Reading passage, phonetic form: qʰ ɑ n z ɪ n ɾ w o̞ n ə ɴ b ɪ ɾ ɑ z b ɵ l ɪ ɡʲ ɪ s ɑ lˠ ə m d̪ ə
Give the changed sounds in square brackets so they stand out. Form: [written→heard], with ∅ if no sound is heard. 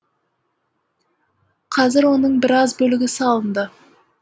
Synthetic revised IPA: qʰ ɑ [n→∅] z ɪ [n→∅] ɾ w o̞ n ə ɴ b ɪ ɾ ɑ z b ɵ l ɪ ɡʲ ɪ s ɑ lˠ ə [m→n] d̪ ə